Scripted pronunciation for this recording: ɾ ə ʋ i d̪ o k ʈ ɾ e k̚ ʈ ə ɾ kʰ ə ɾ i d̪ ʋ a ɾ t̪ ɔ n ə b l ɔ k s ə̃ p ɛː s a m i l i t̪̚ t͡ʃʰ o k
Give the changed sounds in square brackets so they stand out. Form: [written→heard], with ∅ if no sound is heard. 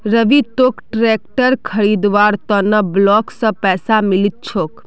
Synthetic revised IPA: ɾ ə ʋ i [d̪→t̪] o k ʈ ɾ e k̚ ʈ ə ɾ kʰ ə ɾ i d̪ ʋ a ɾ t̪ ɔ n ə b l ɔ k s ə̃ p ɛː s a m i l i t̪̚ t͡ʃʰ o k

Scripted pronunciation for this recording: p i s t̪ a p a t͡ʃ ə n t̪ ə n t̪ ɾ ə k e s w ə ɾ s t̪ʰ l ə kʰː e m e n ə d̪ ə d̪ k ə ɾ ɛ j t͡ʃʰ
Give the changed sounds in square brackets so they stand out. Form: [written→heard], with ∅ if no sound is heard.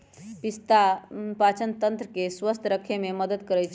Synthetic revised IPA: p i s t̪ a p a t͡ʃ ə n t̪ ə n t̪ ɾ ə k e s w ə [ɾ→∅] s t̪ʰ [l→ɾ] ə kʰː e m e [n→m] ə d̪ ə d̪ k ə ɾ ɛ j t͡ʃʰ

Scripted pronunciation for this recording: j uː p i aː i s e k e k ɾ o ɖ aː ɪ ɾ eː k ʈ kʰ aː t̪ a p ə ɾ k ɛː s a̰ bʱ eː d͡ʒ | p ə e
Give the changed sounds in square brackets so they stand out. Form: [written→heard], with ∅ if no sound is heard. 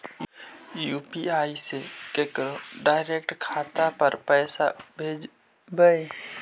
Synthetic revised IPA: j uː p i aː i s e k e k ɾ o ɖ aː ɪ ɾ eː k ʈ kʰ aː t̪ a p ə ɾ [k→p] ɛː s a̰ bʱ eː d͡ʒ | [p→b] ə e

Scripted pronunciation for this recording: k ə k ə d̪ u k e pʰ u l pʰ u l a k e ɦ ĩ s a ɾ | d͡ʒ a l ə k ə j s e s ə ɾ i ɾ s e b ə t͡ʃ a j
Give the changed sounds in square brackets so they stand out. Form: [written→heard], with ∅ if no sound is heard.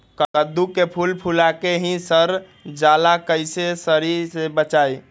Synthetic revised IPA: k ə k ə d̪ u k e pʰ u l pʰ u l a k e ɦ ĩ s [a→ə] ɾ | d͡ʒ a l [ə→a] k ə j s e s ə ɾ i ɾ s e b ə t͡ʃ a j

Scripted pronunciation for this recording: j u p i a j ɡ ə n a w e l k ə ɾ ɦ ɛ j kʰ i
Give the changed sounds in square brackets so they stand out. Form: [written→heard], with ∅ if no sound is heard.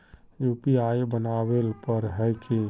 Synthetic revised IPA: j u p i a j [ɡ→b] ə n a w e l [k→p] ə ɾ ɦ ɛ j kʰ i

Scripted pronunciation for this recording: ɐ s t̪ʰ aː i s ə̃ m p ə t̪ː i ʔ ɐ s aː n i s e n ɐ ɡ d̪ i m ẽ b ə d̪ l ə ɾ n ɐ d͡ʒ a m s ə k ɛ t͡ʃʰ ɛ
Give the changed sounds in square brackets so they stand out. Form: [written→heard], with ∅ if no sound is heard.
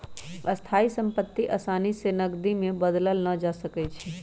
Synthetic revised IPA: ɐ s t̪ʰ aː i s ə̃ m p ə t̪ː i ʔ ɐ s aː n i s e n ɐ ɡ d̪ i m ẽ b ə d̪ l ə [ɾ→l] n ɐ d͡ʒ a [m→∅] s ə k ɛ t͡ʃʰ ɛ

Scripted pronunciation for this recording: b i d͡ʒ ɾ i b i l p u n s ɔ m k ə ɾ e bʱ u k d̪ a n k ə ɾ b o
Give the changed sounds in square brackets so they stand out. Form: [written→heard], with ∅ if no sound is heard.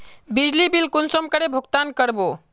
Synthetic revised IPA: b i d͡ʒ [ɾ→l] i b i l [p→k] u n s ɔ m k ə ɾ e bʱ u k [d̪→t̪] a n k ə ɾ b o

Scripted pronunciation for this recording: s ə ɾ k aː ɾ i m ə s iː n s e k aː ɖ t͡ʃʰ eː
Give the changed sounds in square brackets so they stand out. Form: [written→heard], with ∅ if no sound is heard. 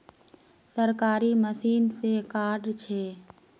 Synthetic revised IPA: s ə ɾ k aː ɾ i m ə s iː n s e k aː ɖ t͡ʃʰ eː

